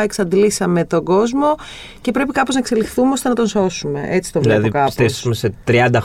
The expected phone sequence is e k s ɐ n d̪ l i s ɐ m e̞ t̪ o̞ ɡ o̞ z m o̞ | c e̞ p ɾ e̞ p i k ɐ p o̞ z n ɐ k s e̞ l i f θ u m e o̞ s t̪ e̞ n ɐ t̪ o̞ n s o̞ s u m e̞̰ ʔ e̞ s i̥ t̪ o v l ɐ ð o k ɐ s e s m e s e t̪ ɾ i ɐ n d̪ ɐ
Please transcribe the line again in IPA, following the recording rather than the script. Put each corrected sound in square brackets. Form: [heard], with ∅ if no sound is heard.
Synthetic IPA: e k s ɐ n d̪ l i s ɐ m e̞ t̪ o̞ ɡ o̞ z m o̞ | c e̞ p ɾ e̞ p i k ɐ p o̞ z n ɐ k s e̞ l i [x] θ u m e o̞ s t̪ e̞ n ɐ t̪ o̞ n s o̞ s u m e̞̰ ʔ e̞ [t͡s] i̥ t̪ o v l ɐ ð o k ɐ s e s m e s e t̪ ɾ i ɐ n d̪ ɐ